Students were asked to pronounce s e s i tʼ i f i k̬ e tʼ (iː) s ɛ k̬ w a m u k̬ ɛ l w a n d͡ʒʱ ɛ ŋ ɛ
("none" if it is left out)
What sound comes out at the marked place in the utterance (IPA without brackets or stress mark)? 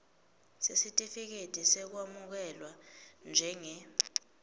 i